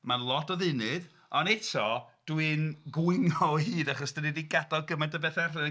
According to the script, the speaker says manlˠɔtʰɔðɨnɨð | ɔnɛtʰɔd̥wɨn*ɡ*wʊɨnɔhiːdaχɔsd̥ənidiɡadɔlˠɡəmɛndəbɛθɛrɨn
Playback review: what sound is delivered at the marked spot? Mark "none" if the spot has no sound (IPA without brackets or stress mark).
ɡ